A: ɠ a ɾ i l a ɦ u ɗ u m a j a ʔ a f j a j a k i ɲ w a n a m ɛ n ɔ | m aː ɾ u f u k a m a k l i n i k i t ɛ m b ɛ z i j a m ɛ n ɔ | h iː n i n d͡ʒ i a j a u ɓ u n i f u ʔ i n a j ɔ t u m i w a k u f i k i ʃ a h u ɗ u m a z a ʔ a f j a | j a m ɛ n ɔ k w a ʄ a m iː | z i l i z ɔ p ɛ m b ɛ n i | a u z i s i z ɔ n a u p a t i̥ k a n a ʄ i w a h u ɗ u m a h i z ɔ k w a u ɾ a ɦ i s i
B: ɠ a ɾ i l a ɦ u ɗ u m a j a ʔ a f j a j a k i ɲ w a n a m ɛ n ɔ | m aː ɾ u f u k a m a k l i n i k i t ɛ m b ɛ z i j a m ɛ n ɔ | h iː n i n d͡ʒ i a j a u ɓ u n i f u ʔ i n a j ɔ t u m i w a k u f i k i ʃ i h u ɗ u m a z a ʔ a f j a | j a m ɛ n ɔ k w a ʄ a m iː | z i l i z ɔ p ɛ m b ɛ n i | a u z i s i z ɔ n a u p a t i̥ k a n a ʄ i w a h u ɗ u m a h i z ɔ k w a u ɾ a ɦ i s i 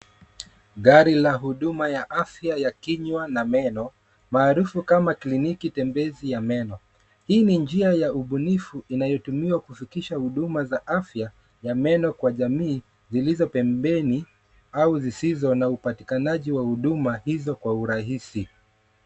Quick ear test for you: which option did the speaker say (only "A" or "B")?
A